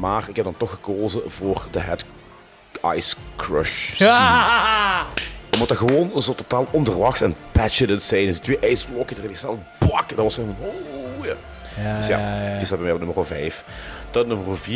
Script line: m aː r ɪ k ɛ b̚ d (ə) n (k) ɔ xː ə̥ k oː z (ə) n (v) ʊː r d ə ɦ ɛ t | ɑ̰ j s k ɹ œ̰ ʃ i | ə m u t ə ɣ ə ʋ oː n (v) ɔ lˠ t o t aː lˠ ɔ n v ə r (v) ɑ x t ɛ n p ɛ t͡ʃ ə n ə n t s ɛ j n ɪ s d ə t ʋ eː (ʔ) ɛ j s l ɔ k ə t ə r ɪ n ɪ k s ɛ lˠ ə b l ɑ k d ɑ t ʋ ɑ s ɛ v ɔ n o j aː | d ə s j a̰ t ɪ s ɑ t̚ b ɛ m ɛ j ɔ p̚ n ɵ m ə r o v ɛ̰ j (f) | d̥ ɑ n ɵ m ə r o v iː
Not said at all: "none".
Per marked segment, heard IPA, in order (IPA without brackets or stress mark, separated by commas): ɑ, t, ə, v, z, ʋ, ʔ, f